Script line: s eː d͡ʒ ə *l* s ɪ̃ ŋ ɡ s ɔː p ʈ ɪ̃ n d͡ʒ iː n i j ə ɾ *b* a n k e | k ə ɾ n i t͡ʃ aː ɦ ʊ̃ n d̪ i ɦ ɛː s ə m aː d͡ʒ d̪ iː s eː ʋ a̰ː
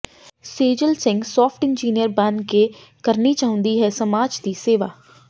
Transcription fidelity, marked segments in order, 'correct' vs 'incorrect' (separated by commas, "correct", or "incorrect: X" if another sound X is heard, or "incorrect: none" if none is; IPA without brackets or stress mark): correct, correct